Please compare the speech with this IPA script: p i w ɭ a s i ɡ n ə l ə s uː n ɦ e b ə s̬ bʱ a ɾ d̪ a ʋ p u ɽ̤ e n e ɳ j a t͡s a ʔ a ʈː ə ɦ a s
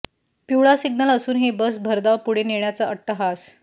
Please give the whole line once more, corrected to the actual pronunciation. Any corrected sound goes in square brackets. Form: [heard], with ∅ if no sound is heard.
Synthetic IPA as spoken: p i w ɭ a s i ɡ n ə l ə s uː n ɦ e b ə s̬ bʱ [ə] ɾ d̪ a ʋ p u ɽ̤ e n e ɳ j a t͡s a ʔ [ə] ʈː ə ɦ a s